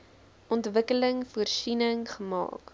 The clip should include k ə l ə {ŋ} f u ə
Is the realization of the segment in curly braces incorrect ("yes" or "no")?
no